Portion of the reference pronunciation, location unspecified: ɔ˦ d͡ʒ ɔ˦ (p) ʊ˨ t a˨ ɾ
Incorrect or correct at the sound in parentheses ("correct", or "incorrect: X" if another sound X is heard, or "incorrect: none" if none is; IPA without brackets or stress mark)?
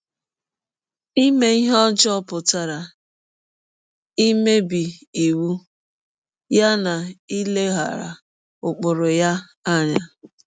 correct